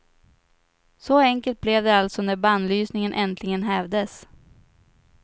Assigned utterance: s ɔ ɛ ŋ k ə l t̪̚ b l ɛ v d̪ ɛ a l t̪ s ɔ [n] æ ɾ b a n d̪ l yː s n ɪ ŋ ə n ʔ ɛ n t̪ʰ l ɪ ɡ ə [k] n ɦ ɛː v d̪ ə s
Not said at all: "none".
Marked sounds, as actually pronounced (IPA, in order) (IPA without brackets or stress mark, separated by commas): n, none